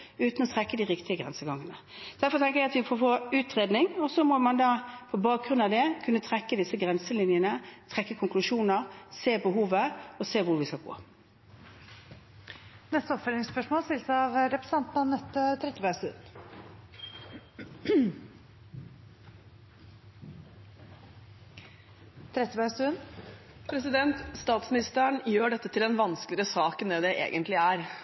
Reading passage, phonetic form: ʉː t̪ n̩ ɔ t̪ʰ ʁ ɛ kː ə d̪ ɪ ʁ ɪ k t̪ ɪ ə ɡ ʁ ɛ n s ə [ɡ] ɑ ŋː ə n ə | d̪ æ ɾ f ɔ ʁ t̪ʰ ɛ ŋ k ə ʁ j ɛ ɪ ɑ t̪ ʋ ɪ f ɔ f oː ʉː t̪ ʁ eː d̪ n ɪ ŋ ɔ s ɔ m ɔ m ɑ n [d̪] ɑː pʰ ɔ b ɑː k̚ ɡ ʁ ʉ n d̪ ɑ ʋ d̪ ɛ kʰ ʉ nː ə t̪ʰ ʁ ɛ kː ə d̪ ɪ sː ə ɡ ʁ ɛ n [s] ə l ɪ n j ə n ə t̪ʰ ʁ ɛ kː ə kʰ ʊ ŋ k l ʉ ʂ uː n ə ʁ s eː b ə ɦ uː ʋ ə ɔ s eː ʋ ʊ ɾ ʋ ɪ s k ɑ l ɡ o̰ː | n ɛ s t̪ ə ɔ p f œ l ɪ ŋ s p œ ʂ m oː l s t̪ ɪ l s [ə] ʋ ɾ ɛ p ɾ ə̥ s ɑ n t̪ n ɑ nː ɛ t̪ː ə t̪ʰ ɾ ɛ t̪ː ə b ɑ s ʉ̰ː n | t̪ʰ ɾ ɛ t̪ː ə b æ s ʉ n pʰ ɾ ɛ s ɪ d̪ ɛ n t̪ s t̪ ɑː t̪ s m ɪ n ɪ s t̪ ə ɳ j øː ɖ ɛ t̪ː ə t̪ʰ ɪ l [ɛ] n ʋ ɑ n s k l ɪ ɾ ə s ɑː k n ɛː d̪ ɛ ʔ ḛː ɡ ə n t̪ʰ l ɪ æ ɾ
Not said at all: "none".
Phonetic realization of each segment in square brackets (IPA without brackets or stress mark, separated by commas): ɡ, d̪, s, ɑ, ɛ